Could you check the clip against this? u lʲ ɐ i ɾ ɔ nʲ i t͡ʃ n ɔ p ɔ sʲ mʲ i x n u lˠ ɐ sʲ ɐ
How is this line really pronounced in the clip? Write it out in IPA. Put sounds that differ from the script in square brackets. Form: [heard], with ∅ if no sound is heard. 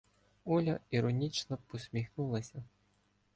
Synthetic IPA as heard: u lʲ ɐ i ɾ ɔ nʲ i t͡ʃ n ɔ p ɔ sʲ mʲ i x n u lˠ ɐ sʲ ɐ